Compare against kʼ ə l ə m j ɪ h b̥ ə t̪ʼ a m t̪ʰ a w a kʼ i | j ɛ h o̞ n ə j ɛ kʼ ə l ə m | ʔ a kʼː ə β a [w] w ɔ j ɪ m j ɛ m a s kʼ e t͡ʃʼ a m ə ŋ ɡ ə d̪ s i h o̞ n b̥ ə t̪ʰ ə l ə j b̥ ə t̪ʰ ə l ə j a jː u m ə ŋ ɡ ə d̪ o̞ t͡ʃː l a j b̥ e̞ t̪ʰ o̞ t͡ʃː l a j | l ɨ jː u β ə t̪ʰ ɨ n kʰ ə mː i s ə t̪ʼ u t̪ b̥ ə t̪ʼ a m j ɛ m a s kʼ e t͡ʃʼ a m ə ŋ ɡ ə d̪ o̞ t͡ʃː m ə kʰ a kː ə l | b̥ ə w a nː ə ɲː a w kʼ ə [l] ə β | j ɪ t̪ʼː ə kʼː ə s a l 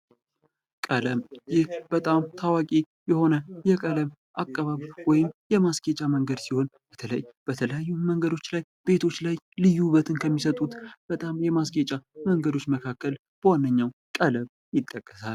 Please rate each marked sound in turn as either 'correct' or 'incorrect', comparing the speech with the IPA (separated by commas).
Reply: incorrect, correct